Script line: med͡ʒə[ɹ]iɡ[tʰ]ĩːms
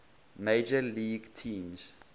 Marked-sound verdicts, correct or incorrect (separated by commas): incorrect, correct